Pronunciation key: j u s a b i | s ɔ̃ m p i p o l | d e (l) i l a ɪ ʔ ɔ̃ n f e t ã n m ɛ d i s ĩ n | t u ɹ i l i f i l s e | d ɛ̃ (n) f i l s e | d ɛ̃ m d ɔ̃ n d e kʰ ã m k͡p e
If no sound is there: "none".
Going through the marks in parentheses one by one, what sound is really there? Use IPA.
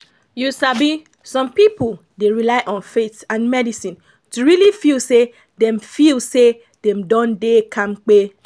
ɹ, m

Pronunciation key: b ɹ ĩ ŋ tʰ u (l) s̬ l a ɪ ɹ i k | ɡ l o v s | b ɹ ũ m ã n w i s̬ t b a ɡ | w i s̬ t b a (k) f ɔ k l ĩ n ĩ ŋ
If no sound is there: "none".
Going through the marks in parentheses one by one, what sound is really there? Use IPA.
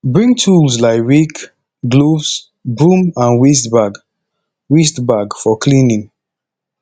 l, ɡ

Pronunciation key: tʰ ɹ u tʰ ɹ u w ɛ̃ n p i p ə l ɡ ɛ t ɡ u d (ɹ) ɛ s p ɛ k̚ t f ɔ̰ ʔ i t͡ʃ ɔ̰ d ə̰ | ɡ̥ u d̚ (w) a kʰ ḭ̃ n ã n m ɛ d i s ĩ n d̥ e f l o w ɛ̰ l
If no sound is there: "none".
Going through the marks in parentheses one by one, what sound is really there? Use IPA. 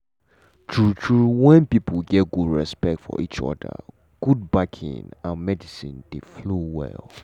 ɹ, b

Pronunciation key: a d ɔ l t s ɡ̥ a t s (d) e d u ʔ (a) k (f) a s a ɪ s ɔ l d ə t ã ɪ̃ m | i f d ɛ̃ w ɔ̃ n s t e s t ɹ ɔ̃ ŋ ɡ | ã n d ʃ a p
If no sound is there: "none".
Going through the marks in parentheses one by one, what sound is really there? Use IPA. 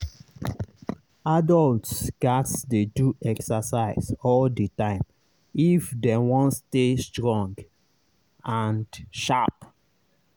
d, ɛ, s

